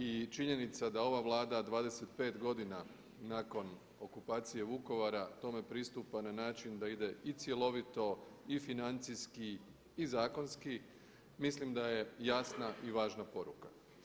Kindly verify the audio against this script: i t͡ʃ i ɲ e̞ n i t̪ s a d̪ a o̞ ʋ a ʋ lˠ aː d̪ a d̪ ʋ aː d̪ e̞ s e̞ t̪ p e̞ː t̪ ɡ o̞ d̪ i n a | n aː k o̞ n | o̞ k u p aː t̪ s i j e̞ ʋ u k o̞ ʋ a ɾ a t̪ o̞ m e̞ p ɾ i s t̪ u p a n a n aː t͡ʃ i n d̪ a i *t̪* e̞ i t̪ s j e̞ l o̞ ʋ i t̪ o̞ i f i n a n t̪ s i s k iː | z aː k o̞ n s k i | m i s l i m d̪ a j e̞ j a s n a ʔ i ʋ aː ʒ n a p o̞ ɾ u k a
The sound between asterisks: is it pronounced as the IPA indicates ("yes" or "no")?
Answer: no